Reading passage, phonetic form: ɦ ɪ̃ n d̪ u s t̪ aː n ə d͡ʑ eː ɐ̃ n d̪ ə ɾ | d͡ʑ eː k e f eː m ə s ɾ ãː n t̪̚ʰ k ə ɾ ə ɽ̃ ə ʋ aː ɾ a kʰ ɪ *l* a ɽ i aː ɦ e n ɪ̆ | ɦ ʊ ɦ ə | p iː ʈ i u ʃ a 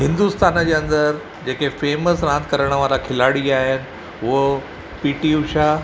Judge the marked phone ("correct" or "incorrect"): correct